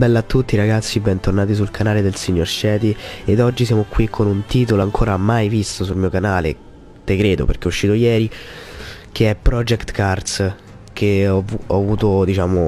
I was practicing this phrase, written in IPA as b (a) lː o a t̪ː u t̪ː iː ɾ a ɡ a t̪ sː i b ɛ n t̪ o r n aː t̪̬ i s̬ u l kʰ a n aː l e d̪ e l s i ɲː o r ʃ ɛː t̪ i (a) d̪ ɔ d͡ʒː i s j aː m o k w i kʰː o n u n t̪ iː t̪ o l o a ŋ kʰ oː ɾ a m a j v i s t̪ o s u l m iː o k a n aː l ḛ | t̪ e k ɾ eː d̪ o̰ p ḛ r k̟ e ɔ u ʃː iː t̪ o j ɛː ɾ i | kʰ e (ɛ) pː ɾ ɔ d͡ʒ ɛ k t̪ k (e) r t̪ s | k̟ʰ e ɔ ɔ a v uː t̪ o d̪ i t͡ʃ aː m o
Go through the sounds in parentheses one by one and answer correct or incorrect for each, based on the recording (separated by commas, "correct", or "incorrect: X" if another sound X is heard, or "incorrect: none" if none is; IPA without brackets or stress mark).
incorrect: ɛ, incorrect: e, correct, incorrect: a